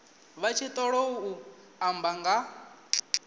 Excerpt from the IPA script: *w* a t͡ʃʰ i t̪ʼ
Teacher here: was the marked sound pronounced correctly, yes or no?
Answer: no